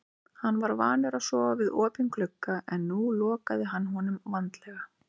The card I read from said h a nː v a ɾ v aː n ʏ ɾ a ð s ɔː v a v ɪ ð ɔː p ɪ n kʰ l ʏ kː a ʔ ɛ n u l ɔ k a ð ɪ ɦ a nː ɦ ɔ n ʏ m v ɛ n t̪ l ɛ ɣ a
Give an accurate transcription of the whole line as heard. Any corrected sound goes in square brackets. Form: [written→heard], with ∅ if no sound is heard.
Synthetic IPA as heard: h a nː v a ɾ v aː n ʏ ɾ a ð s ɔː v a v ɪ ð ɔː p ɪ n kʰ l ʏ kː a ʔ ɛ [n→nː] u l [ɔ→ɔː] k a ð ɪ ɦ a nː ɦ ɔ n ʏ m v [ɛ→a] n t̪ l ɛ ɣ a